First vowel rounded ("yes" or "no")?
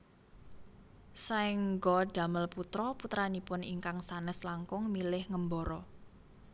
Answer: no